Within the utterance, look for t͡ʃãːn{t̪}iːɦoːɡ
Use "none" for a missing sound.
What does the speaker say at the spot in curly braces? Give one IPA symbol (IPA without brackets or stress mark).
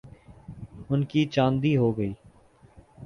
d̪